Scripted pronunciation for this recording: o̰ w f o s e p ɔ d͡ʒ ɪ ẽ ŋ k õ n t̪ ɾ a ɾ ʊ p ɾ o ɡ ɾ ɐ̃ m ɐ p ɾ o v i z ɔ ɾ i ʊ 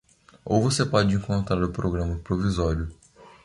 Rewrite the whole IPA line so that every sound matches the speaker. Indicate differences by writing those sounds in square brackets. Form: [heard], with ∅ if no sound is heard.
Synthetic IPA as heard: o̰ w [v] o s e p ɔ d͡ʒ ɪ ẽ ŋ k õ n t̪ ɾ a ɾ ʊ p ɾ o ɡ ɾ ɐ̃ m ɐ p ɾ o v i z ɔ ɾ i ʊ